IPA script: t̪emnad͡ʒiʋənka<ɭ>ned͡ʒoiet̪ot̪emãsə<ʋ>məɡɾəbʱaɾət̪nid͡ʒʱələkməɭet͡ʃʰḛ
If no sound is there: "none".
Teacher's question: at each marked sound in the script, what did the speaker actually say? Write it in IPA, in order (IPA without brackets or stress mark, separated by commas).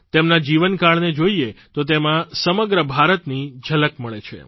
ɭ, none